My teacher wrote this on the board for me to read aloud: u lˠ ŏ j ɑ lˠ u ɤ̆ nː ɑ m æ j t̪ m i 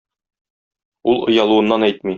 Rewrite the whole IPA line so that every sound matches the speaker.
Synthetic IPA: u lˠ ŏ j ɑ lˠ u ɤ̆ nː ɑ n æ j t̪ m i